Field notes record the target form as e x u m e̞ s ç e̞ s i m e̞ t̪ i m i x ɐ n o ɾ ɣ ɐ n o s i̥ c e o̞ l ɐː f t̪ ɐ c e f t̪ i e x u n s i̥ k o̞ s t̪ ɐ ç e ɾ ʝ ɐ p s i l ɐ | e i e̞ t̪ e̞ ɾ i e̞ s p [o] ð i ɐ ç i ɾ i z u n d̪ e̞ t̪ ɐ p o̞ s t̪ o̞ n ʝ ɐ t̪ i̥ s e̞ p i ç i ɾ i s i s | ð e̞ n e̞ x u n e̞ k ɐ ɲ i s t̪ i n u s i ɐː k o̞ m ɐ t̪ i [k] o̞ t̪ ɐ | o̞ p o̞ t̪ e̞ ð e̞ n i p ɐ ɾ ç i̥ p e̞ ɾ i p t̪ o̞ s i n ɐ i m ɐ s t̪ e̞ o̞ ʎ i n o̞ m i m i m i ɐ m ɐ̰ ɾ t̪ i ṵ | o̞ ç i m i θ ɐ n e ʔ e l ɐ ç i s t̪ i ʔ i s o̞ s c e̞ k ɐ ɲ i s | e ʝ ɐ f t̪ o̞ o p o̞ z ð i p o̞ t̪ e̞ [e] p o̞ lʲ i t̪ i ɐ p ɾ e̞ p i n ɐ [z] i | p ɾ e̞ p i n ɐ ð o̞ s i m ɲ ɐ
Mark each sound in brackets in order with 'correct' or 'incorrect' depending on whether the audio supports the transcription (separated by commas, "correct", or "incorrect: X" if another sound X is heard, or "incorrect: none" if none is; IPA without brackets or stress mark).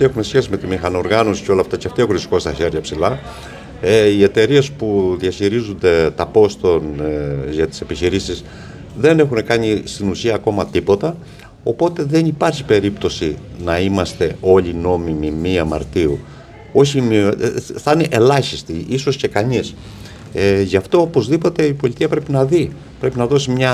incorrect: u, incorrect: p, incorrect: i, incorrect: ð